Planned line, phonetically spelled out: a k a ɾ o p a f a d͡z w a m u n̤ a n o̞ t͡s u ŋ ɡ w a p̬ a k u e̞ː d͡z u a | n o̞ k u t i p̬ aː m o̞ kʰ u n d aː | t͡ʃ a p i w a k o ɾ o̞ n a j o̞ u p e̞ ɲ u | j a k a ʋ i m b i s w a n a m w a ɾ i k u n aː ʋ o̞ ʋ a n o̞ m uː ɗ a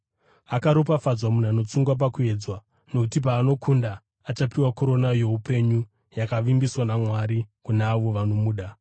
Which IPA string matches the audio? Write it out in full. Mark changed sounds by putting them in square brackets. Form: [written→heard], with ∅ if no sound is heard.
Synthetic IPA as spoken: a k a ɾ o p a f a d͡z w a m u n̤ a n o̞ t͡s u ŋ ɡ w a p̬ a k u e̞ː d͡z [u→w] a | n o̞ k u t i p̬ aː [m→n] o̞ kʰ u n d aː | t͡ʃ a p i w a k o ɾ o̞ n a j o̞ u p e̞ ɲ u | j a k a ʋ i m b i s w a n a m w a ɾ i k u n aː ʋ o̞ ʋ a n o̞ m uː ɗ a